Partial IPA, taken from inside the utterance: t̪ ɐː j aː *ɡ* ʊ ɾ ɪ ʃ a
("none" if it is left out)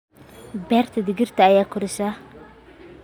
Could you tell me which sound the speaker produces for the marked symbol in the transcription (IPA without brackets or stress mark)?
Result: k